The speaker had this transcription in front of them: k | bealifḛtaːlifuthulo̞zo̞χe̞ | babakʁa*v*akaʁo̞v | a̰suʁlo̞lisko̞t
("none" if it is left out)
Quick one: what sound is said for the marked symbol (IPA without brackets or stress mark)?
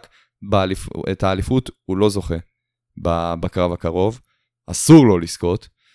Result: v